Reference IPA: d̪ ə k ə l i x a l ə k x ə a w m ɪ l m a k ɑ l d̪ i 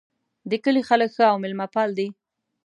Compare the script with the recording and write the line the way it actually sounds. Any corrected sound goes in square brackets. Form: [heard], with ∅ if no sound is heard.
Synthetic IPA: d̪ ə k ə l i x a l ə k x ə a w m ɪ l m a [p] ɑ l d̪ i